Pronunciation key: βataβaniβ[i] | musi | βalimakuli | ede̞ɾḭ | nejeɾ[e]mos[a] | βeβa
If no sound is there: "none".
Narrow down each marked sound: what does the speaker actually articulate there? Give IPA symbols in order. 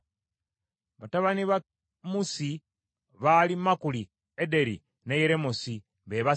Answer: a, e, i

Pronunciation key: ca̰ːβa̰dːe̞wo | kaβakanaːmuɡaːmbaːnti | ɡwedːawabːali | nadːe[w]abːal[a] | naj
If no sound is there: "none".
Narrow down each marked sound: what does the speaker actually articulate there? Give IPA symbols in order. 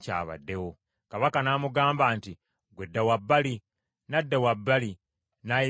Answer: w, i

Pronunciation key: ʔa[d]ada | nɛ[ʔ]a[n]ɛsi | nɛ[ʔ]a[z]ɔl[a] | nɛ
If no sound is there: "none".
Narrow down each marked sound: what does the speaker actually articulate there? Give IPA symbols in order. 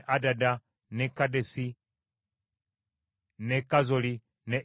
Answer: d, k, d, k, z, i

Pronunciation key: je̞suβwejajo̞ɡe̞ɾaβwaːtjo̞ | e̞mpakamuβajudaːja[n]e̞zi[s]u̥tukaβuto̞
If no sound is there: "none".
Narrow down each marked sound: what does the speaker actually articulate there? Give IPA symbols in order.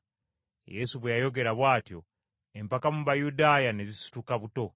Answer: n, s

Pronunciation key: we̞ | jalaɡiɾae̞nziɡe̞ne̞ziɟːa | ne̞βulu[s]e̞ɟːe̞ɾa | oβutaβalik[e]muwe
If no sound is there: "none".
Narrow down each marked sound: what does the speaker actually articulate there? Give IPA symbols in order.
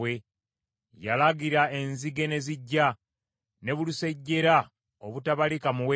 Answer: s, a

